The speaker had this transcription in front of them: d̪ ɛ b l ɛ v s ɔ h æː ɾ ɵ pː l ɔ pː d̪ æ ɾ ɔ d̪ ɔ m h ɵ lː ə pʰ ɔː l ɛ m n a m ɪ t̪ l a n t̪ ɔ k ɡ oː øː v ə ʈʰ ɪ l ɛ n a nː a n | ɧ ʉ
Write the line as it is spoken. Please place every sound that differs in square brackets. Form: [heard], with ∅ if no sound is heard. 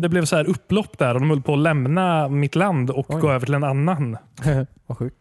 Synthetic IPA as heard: d̪ ɛ b l ɛ v s ɔ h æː ɾ ɵ pː l ɔ pː d̪ æ ɾ ɔ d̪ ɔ m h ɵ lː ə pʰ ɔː l ɛ m n a m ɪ t̪ l a n [d̪] ɔ k ɡ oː øː v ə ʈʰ ɪ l ɛ n a nː a n | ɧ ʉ